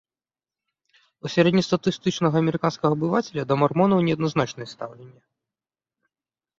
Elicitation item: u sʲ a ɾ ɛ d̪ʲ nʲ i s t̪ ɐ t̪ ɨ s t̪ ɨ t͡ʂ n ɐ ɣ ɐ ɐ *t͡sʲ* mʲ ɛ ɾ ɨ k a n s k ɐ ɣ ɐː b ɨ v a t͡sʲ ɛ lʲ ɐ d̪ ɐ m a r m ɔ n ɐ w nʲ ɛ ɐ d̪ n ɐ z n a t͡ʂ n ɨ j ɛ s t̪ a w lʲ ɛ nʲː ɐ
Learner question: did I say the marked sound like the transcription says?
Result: no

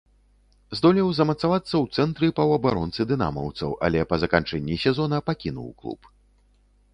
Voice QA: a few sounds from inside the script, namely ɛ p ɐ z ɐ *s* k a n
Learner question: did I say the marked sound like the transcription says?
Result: no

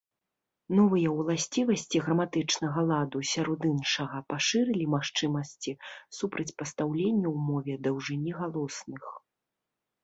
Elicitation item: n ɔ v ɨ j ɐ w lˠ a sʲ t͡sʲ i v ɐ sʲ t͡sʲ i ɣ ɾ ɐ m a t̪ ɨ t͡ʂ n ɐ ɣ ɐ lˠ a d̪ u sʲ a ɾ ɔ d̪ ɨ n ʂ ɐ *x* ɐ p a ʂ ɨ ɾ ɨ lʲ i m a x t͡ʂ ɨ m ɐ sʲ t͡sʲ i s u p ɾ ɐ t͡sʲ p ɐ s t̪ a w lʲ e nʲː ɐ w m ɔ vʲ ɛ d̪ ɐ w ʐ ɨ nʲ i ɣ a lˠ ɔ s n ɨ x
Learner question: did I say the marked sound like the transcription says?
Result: no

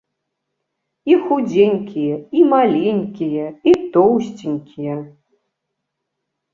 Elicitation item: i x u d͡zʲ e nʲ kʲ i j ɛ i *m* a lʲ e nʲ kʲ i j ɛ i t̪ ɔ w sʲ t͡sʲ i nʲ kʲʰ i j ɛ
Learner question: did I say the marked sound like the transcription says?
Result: yes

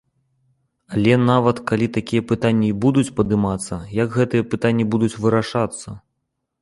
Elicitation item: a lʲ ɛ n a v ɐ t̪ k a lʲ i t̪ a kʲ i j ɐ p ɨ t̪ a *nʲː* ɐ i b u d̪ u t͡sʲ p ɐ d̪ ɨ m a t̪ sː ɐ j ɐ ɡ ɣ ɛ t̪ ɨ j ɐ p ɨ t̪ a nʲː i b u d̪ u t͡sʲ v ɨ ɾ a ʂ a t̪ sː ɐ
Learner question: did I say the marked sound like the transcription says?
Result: yes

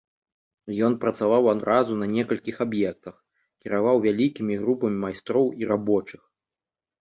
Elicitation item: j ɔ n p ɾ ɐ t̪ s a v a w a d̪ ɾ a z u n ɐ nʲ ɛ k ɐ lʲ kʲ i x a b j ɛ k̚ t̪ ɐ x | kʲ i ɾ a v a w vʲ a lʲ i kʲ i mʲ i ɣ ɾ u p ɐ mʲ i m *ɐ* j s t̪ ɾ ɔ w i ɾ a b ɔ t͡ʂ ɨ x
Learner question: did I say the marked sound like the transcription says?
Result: no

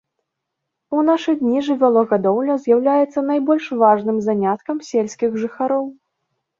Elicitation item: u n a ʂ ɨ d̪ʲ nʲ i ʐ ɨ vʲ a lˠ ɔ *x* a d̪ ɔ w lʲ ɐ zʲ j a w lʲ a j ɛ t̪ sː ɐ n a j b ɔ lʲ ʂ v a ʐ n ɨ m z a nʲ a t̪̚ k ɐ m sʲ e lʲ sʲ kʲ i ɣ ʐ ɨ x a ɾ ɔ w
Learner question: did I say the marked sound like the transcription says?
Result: no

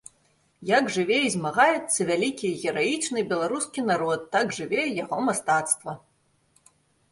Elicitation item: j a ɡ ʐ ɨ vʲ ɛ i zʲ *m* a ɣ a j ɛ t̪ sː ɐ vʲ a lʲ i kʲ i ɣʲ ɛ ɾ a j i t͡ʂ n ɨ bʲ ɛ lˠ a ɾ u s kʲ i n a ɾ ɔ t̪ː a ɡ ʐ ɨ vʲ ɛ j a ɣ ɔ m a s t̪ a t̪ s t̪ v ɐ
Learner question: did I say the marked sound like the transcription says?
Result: yes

